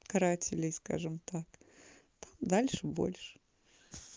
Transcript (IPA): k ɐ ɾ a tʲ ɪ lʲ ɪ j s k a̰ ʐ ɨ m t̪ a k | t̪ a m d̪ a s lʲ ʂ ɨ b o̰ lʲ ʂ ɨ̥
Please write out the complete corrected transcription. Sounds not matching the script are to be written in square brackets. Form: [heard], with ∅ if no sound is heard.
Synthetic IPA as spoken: k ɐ ɾ a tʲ ɪ lʲ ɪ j s k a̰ ʐ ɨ m t̪ a k | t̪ a m d̪ a [∅] lʲ ʂ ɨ b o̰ lʲ ʂ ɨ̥